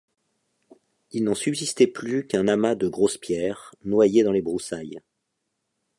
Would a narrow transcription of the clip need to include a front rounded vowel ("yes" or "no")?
yes